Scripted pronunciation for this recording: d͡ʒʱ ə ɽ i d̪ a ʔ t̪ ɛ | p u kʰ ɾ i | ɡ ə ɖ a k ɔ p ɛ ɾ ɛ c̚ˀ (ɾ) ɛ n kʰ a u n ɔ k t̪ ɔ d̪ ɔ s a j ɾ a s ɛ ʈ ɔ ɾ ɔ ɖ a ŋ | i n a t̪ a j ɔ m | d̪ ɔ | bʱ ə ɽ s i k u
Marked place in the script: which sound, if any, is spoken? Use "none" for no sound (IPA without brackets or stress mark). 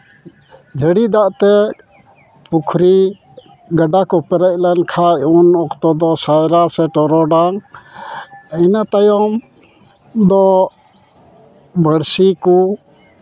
l